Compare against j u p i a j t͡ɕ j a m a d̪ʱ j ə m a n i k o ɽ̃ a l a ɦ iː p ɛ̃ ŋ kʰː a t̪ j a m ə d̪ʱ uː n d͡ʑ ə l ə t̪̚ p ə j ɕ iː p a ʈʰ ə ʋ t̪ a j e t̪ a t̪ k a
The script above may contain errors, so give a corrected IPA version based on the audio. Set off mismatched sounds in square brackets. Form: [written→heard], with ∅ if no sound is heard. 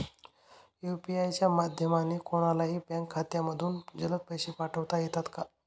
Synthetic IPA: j u p i a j t͡ɕ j a m a d̪ʱ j ə m a n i k o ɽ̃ a l a ɦ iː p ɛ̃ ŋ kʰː a t̪ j a m ə d̪ʱ uː n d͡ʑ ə l ə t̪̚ p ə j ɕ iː p a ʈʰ ə ʋ t̪ a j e t̪ a t̪ k a